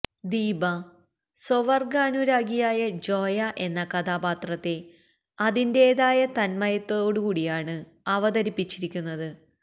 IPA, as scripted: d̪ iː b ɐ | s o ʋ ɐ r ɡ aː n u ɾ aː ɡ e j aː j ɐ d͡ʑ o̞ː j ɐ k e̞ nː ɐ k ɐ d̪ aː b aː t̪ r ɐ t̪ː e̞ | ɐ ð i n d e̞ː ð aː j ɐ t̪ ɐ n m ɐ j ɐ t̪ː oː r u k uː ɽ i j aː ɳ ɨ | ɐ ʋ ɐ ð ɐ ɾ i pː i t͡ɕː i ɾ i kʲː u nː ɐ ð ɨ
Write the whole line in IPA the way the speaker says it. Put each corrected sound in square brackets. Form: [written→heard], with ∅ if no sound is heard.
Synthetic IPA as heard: d̪ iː b ɐ | s o ʋ ɐ r ɡ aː n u ɾ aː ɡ [e→i] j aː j ɐ d͡ʑ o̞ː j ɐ [k→ʔ] e̞ nː ɐ k ɐ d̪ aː b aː t̪ r ɐ t̪ː e̞ | ɐ ð i n d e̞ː ð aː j ɐ t̪ ɐ n m ɐ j ɐ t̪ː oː [r→ɽ] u k uː ɽ i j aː ɳ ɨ | ɐ ʋ ɐ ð ɐ ɾ i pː i t͡ɕː i ɾ i kʲː u nː ɐ ð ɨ